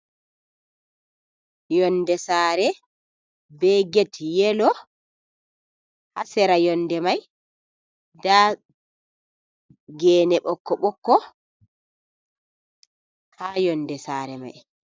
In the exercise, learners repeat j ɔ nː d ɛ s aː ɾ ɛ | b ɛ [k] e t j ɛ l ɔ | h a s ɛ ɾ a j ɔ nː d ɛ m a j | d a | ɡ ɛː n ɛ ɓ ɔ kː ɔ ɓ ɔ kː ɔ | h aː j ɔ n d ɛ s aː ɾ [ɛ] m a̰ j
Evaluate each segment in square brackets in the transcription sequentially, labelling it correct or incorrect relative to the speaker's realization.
incorrect, correct

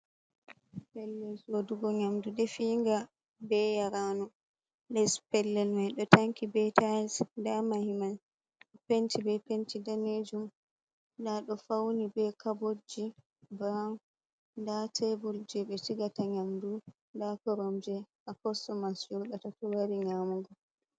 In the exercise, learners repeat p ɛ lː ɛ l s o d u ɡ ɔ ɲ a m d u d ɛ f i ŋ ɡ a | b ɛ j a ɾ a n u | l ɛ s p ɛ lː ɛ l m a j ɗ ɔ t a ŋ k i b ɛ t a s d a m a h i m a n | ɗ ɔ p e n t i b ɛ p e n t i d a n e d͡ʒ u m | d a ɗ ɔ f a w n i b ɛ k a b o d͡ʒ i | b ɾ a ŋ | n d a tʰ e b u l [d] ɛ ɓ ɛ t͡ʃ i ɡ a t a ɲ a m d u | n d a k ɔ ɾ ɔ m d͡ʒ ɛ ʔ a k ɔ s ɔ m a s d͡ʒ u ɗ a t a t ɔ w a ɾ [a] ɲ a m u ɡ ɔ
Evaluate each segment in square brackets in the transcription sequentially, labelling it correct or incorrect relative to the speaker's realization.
incorrect, incorrect

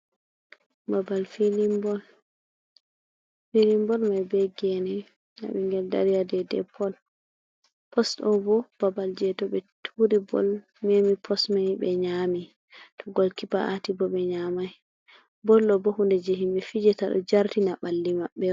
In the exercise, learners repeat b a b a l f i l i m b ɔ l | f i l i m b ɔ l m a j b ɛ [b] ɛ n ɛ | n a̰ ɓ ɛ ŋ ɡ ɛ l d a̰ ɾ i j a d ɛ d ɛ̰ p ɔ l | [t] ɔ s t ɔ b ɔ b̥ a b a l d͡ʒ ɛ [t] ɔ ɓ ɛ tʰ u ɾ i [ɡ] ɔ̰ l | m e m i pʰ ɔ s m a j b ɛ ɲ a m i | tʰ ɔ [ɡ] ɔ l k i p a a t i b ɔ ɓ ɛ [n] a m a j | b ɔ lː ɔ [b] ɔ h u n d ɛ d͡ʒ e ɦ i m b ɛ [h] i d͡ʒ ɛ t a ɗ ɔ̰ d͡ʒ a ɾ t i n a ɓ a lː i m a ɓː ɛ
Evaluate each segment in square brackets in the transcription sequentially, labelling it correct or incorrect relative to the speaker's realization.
incorrect, incorrect, correct, incorrect, correct, incorrect, correct, incorrect

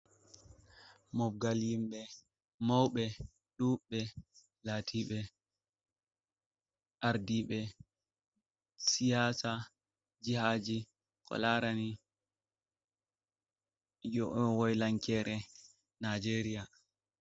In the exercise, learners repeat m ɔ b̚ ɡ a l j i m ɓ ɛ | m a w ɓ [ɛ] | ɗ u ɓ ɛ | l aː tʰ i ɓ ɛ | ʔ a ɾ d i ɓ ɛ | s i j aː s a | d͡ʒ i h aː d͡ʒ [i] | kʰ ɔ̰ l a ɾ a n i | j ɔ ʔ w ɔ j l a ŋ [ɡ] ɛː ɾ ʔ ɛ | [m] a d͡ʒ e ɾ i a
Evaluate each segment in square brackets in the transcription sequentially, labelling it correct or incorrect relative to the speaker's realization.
correct, correct, incorrect, incorrect

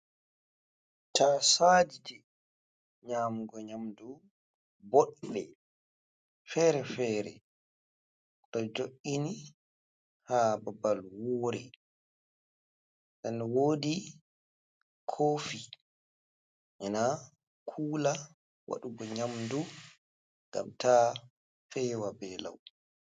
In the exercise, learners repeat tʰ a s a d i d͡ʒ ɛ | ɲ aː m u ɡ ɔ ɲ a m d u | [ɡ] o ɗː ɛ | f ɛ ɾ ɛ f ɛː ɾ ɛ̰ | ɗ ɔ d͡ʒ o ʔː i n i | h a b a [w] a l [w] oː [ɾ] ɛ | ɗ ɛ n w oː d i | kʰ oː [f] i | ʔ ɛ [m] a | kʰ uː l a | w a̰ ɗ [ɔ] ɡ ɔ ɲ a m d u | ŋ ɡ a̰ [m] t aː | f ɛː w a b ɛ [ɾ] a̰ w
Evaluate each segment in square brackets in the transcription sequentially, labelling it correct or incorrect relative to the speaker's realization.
incorrect, incorrect, correct, correct, correct, incorrect, incorrect, correct, incorrect

